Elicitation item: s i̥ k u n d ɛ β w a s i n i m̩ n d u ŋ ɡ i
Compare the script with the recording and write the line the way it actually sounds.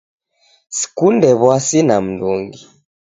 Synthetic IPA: s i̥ k u n d ɛ β w a s i n a m̩ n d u ŋ ɡ i